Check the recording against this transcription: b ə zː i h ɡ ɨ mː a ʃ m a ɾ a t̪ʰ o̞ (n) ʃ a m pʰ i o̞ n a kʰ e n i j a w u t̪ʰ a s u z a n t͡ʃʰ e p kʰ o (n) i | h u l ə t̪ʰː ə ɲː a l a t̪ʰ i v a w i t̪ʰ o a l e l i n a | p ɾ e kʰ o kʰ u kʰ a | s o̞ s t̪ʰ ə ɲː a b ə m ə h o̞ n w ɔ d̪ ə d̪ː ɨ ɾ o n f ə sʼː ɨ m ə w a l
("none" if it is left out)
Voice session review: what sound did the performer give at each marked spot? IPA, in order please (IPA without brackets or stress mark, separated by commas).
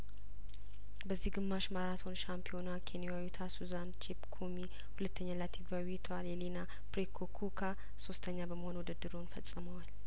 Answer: n, m